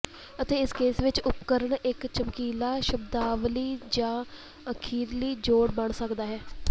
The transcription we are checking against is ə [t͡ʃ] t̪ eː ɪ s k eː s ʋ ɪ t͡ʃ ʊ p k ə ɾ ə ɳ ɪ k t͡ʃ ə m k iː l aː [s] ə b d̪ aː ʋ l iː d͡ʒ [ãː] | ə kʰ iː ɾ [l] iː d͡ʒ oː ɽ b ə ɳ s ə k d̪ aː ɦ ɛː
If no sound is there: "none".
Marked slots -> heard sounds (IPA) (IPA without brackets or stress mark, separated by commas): none, ʃ, ãː, l